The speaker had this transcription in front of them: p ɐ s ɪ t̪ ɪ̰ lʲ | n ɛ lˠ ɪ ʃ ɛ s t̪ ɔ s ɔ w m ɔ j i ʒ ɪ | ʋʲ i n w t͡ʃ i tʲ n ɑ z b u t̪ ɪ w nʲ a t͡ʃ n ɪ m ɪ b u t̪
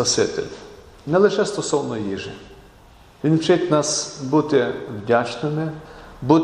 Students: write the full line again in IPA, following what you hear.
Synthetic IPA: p ɐ s ɪ t̪ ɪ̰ lʲ | n ɛ lˠ ɪ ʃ ɛ s t̪ ɔ s ɔ w n ɔ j i ʒ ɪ | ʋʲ i n w t͡ʃ ɪ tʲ n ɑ s b u t̪ ɪ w dʲ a t͡ʃ n ɪ m ɪ b u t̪